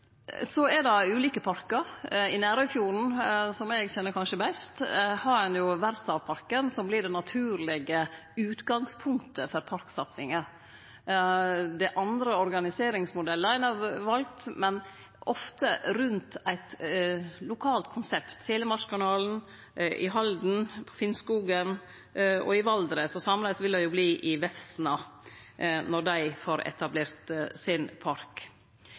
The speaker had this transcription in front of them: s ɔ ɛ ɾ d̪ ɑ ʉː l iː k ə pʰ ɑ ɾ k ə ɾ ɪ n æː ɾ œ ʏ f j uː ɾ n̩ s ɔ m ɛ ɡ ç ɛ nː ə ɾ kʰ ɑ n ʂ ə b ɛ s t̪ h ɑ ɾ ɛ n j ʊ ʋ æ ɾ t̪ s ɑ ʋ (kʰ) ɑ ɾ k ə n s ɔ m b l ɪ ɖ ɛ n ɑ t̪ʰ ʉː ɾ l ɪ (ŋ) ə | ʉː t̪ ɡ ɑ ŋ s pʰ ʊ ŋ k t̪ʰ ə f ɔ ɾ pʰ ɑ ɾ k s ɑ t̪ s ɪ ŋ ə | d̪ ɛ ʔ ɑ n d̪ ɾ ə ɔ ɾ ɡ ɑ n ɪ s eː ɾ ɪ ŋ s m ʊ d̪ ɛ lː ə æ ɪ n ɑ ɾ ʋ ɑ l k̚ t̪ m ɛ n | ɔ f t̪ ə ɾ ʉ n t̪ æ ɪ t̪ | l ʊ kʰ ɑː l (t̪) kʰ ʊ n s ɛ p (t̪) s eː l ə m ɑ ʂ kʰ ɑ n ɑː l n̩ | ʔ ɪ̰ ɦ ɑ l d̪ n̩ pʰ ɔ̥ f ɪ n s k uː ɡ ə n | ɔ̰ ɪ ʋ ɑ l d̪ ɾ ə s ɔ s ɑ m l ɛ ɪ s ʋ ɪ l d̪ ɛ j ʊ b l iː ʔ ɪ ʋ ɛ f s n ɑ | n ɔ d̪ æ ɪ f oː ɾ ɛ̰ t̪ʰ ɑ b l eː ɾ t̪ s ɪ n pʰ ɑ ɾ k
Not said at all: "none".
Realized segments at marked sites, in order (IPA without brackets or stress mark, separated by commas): pʰ, ɡ, t̪, t̪